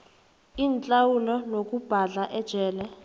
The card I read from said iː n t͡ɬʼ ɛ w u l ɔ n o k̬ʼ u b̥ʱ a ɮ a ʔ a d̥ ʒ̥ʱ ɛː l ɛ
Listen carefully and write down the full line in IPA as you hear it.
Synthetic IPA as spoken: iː n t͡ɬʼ a w u l ɔ n o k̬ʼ u b̥ʱ a ɮ a ʔ ɛ d̥ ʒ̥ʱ ɛː l ɛ